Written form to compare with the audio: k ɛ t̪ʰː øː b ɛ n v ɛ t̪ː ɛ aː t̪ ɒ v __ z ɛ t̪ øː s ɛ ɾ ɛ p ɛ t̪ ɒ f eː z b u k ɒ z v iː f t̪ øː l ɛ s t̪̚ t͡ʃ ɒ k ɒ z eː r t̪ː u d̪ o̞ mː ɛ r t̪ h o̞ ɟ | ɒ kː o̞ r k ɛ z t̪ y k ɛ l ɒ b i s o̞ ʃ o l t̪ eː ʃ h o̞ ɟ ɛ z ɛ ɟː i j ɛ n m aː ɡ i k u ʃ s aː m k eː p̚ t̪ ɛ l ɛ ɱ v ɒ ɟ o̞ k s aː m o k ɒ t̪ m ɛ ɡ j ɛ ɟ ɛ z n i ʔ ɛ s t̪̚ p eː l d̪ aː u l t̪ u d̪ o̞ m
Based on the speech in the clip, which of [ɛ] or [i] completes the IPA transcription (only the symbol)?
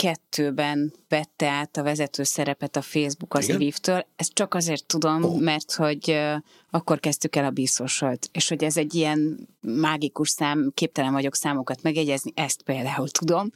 ɛ